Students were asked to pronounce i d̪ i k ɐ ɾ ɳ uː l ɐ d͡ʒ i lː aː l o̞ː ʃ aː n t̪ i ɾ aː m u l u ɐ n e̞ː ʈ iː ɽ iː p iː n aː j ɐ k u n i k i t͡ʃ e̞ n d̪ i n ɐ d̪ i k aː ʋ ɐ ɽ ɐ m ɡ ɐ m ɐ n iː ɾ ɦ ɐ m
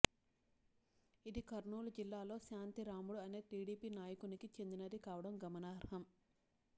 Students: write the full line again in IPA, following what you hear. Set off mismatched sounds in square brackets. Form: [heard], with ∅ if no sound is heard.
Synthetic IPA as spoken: i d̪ i k ɐ ɾ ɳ uː l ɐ d͡ʒ i lː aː l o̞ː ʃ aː n t̪ i ɾ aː m u [ɽ] u ɐ n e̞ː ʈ iː ɽ iː p iː n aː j ɐ k u n i k i t͡ʃ e̞ n d̪ i n ɐ d̪ i k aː ʋ ɐ ɽ ɐ m ɡ ɐ m ɐ n [aː] ɾ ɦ ɐ m